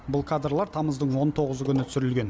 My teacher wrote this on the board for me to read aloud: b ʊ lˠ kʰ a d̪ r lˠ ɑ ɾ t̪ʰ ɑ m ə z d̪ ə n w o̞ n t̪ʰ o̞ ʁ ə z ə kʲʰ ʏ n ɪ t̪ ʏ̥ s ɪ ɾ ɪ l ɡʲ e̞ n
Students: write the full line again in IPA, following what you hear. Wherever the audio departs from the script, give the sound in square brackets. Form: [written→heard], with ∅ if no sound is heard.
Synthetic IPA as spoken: b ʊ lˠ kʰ a d̪ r lˠ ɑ ɾ t̪ʰ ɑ m ə z d̪ ə [n→ɴ] w o̞ n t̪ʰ o̞ ʁ ə z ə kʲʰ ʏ n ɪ t̪ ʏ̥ s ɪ ɾ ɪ l ɡʲ e̞ n